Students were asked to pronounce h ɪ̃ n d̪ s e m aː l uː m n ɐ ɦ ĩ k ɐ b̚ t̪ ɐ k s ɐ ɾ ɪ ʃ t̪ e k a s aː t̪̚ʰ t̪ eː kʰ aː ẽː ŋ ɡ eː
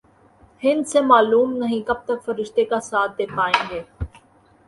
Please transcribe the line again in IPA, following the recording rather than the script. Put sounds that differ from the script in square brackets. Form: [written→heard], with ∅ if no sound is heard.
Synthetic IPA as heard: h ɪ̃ n d̪ s e m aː l uː m n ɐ ɦ ĩ k ɐ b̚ t̪ ɐ k [s→f] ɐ ɾ ɪ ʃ t̪ e k a s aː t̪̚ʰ [t̪→d̪] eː kʰ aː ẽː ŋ ɡ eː